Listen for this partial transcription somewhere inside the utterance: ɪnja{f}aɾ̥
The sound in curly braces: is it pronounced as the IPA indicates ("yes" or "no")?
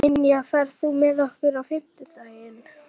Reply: yes